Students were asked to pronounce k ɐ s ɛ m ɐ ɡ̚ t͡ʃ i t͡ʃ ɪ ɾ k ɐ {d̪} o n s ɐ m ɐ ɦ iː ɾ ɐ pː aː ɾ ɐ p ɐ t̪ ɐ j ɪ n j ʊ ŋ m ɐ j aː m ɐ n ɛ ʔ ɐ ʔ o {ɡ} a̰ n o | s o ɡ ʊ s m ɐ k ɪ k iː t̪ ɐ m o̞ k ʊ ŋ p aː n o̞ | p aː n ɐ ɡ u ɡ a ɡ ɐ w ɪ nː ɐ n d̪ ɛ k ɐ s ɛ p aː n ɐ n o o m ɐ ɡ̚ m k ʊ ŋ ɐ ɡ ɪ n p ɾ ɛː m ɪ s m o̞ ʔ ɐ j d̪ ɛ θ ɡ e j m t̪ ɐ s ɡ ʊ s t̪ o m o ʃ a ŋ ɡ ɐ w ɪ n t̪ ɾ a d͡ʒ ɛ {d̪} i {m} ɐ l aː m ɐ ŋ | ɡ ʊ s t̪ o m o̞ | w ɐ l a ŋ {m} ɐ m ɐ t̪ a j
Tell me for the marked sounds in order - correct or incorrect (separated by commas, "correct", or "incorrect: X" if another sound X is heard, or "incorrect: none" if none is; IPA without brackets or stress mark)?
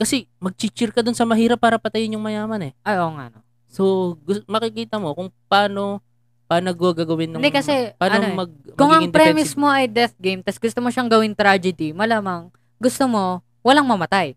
correct, incorrect: ŋ, correct, correct, correct